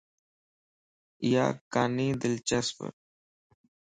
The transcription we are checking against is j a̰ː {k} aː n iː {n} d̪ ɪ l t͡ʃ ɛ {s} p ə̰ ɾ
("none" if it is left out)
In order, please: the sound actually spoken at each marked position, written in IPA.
k, none, s

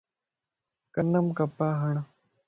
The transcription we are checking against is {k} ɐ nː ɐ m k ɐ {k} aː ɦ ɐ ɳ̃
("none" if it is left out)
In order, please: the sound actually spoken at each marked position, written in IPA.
k, p

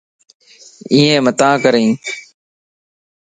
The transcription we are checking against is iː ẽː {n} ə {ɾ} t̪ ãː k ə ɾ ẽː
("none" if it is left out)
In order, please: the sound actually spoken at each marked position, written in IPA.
m, none

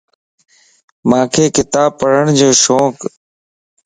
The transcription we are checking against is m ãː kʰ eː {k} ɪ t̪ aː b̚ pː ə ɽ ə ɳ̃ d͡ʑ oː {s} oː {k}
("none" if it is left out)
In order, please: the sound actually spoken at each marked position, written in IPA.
k, ʃ, k

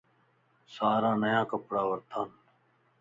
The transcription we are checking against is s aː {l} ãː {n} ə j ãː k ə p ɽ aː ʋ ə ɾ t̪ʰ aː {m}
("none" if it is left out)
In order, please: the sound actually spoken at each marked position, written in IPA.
ɾ, n, n

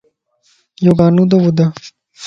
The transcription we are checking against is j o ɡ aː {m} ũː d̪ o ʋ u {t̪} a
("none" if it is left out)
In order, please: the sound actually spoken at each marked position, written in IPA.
n, d̪

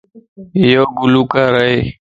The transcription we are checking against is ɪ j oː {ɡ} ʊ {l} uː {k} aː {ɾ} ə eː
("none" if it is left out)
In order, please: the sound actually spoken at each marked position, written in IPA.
ɡ, l, k, ɾ

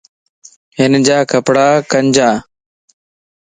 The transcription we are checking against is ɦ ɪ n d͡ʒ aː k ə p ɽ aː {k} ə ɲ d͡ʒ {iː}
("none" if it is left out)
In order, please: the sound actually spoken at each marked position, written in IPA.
k, aː

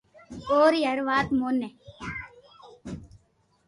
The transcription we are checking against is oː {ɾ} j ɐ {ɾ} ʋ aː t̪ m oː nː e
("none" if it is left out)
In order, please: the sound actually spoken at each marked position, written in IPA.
ɾ, ɾ

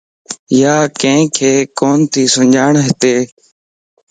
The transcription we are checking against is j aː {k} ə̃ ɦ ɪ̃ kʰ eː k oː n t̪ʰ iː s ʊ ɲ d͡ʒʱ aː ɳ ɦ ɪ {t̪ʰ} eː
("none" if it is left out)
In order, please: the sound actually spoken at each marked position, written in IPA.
k, t̪

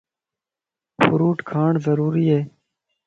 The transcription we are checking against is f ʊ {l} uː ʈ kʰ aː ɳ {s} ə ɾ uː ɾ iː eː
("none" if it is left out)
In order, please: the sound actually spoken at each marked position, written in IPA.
ɾ, z

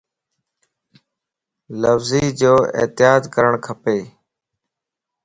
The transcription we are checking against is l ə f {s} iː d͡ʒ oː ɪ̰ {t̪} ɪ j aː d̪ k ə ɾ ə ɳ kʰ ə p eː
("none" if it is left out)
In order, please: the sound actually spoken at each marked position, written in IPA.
z, t̪

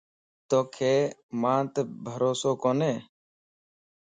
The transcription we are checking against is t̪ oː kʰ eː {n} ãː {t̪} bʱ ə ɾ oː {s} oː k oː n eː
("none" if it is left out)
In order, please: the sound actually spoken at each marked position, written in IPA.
m, t̪, s

